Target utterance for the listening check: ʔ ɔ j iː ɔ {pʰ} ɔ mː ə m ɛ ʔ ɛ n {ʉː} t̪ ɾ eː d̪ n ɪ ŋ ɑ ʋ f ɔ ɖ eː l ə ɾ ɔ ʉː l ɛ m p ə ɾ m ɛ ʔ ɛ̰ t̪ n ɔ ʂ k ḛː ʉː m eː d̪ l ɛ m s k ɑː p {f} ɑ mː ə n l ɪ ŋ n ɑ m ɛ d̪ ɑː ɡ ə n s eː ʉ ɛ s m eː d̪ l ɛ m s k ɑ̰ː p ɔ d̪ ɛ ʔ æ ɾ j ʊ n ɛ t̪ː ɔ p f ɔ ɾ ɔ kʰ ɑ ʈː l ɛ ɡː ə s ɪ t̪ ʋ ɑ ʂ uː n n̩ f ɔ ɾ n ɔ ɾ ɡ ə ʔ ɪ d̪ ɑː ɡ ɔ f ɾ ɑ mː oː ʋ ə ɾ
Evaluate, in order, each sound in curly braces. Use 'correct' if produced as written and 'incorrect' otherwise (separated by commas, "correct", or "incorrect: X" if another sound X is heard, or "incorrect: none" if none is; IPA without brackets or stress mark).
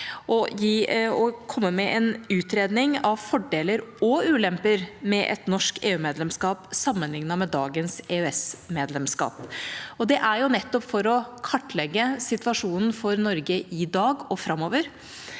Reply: incorrect: kʰ, correct, incorrect: s